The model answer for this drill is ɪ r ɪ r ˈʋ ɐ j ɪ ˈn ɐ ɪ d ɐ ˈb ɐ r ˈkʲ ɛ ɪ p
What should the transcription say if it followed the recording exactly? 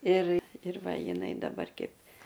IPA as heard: ɪ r ɪ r ˈʋ ɐ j ɪ ˈn ɐ ɪ d ɐ ˈb ɐ r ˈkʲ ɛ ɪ p